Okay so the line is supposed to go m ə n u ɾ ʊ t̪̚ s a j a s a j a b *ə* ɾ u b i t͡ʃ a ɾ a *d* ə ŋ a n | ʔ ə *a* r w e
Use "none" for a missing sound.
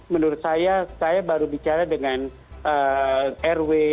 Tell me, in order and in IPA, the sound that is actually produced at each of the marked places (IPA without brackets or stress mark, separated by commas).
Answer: a, d, ɛ